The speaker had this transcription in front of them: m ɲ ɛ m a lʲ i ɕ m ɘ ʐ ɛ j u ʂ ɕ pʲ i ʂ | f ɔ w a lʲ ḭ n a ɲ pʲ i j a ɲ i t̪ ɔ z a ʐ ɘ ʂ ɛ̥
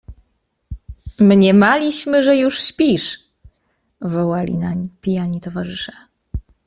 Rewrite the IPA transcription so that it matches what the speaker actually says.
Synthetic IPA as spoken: m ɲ ɛ m a lʲ i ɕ m ɘ ʐ ɛ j u ʂ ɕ pʲ i ʂ | v ɔ w a lʲ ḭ n a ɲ pʲ i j a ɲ i t̪ ɔ v a ʐ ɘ ʂ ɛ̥

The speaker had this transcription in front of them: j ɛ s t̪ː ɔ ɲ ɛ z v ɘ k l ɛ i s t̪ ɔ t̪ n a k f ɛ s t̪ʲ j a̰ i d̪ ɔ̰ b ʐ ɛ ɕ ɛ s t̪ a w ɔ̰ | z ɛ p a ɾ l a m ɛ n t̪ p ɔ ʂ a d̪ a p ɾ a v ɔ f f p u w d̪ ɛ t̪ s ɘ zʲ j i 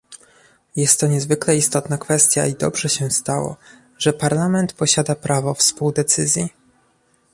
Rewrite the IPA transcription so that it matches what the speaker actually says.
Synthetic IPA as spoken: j ɛ s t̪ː ɔ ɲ ɛ z v ɘ k l ɛ i s t̪ ɔ t̪ n a k f ɛ s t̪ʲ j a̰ i d̪ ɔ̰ b ʐ ɛ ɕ ɛ s t̪ a w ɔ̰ | ʐ ɛ p a ɾ l a m ɛ n t̪ p ɔ ɕ a d̪ a p ɾ a v ɔ f s p u w d̪ ɛ t̪ s ɘ zʲ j i

